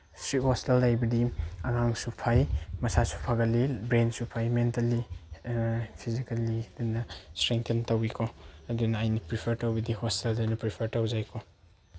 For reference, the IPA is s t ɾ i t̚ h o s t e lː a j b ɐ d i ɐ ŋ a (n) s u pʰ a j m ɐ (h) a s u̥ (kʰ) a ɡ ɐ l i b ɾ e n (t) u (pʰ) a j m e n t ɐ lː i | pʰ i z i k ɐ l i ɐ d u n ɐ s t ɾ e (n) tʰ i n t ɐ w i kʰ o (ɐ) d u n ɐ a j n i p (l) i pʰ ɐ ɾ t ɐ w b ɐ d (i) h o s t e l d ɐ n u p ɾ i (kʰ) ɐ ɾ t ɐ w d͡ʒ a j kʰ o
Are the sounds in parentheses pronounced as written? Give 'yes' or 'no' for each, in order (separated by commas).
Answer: no, no, no, no, yes, no, yes, no, yes, no